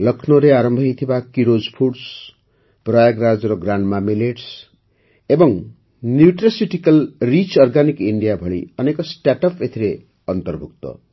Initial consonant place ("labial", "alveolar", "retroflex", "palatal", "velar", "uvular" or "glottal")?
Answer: alveolar